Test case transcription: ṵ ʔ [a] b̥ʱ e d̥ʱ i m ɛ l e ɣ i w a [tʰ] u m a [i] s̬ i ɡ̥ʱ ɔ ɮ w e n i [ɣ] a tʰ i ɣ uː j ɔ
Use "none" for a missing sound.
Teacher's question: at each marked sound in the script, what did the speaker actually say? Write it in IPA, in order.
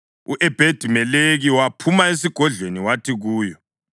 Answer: ɛ, pʰ, e, w

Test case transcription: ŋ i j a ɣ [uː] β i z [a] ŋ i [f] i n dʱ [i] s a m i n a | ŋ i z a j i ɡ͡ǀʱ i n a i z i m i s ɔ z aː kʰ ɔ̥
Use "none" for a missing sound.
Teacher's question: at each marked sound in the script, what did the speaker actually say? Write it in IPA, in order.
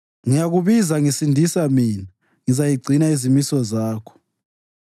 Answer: u, a, s, i

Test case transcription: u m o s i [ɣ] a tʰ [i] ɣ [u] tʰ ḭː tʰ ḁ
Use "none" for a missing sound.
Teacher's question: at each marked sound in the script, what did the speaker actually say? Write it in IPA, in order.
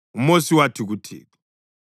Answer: w, i, u

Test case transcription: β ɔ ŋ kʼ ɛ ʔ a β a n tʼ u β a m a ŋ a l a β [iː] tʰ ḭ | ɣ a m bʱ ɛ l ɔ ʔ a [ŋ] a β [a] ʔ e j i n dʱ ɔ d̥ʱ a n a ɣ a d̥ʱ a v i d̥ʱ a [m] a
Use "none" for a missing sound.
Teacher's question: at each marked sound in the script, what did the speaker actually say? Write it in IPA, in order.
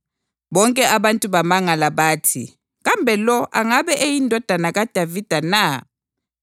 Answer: aː, ŋ, ɛ, n

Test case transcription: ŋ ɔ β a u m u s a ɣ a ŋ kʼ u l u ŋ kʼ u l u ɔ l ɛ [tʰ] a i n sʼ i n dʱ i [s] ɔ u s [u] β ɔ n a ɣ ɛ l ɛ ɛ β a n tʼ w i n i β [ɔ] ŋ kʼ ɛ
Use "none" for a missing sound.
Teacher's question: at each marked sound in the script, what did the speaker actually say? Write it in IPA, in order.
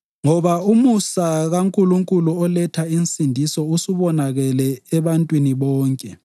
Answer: tʰ, s, u, ɔː

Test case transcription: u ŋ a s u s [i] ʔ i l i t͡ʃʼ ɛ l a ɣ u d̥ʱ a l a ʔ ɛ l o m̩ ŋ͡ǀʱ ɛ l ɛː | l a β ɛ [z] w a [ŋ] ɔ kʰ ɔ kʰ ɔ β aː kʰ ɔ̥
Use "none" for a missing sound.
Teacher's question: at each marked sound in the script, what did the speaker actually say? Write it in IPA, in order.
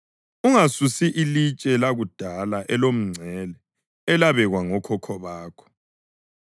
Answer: i, ɣ, ŋ

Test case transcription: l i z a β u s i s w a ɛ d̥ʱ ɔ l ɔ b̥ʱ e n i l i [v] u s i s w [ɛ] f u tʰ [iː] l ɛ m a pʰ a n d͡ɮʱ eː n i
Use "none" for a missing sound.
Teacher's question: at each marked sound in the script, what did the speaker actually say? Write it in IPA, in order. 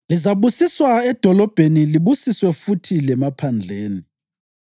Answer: β, ɛ, i

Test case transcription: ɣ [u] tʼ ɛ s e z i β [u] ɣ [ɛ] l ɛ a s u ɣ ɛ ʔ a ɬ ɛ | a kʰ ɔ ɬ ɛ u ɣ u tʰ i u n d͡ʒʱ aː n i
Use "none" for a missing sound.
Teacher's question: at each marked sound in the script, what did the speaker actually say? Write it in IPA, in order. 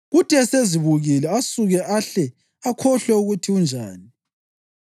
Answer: u, u, i

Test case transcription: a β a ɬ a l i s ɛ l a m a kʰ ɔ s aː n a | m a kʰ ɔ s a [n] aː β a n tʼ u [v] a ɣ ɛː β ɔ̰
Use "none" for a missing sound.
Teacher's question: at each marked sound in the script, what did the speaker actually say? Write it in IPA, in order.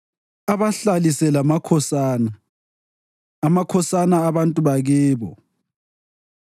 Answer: n, β

